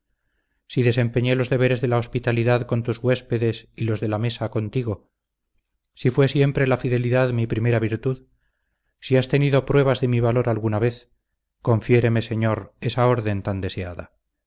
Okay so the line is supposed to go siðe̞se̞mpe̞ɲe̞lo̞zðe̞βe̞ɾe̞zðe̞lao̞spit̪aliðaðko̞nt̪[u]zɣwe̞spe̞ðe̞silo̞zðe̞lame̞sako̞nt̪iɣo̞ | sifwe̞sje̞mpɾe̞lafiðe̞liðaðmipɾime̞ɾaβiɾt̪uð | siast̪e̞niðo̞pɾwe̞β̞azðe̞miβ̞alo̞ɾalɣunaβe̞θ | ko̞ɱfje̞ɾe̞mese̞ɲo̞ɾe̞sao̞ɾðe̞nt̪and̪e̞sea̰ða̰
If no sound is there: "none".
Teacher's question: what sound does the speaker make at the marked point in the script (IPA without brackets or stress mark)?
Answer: u